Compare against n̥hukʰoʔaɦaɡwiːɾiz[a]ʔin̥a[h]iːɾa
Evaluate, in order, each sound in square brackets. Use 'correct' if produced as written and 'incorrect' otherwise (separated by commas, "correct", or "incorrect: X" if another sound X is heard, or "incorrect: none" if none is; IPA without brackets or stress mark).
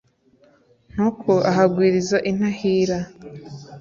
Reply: correct, correct